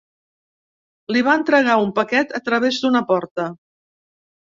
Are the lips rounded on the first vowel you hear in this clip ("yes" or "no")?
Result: no